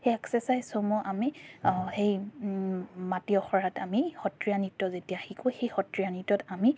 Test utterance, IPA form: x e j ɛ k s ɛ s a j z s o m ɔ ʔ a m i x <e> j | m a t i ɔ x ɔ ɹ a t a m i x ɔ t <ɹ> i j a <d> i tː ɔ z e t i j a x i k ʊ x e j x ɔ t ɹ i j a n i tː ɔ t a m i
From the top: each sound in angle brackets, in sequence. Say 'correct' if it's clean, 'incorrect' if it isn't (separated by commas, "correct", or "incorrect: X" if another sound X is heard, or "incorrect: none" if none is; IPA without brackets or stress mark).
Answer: correct, correct, incorrect: n